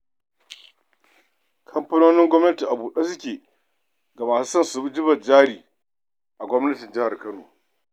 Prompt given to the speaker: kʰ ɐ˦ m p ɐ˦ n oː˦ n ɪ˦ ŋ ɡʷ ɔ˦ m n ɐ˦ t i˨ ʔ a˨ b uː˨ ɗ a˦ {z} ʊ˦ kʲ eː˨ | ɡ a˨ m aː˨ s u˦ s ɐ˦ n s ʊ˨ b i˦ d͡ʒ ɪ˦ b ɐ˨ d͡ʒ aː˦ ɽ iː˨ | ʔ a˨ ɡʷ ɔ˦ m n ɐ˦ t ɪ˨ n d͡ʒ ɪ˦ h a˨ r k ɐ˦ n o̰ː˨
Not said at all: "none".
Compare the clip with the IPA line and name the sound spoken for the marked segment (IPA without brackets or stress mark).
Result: s